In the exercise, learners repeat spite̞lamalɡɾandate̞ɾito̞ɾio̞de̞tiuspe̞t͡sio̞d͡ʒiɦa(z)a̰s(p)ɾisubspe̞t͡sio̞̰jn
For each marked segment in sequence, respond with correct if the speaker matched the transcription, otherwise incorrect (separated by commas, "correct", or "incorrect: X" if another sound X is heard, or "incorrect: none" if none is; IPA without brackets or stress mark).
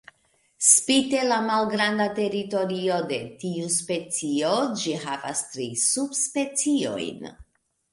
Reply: incorrect: v, incorrect: t